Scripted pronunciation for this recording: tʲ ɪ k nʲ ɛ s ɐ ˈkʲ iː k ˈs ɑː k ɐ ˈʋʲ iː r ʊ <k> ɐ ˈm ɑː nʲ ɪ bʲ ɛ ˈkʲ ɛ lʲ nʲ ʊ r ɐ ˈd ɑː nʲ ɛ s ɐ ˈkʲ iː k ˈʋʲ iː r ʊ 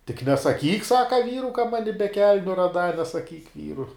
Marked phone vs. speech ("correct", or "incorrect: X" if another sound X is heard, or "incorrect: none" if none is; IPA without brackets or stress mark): correct